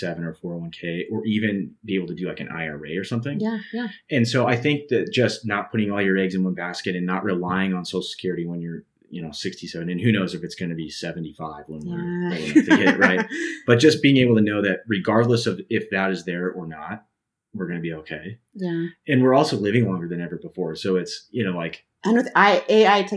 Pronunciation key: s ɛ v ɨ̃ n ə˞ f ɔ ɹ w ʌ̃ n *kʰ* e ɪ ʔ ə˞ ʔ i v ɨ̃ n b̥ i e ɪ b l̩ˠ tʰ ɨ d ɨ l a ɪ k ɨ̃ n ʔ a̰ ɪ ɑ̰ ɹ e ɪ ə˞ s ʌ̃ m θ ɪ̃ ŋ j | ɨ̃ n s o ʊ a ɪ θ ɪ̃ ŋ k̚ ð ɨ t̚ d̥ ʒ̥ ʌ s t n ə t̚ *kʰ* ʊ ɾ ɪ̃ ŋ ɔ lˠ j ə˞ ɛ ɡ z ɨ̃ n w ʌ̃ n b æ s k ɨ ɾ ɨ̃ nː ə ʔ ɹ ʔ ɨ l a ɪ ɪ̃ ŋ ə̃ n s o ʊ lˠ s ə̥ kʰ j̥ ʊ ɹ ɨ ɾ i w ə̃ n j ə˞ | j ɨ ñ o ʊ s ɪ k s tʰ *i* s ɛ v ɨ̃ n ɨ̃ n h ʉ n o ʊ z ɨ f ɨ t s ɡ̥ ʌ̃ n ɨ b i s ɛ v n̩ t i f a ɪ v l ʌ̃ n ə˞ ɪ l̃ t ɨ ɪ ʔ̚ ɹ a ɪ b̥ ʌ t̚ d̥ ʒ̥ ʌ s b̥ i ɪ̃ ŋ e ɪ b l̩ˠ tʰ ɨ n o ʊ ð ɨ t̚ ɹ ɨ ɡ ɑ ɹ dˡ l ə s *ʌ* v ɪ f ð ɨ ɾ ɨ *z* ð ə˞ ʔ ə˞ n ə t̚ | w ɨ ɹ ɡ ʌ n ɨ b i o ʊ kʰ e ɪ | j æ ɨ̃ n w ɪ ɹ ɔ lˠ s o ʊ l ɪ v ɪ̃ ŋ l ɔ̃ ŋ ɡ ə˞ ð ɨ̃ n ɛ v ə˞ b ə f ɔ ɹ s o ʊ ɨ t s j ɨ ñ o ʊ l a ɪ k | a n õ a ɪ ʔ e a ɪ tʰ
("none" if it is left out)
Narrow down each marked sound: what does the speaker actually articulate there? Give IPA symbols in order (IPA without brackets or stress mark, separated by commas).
kʰ, pʰ, i, ʌ, z